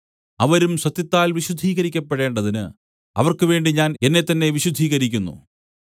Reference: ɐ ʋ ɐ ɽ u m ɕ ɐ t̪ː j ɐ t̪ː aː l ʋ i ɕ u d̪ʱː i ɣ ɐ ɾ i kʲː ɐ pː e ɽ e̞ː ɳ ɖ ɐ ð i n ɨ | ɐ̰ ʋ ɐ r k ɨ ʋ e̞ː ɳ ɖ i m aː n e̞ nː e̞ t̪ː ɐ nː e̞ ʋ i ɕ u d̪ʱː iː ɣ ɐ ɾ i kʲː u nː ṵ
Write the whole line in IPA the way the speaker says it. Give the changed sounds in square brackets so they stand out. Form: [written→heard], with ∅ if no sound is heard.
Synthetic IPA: ɐ ʋ ɐ [ɽ→ɾ] u m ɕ ɐ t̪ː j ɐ t̪ː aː l ʋ i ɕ u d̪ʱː [i→iː] ɣ ɐ ɾ i kʲː ɐ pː e ɽ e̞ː ɳ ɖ ɐ ð i n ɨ | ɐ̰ ʋ ɐ r k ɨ ʋ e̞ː ɳ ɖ i [m→ɲ] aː n e̞ nː e̞ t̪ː ɐ nː e̞ ʋ i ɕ u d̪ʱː iː ɣ ɐ ɾ i kʲː u nː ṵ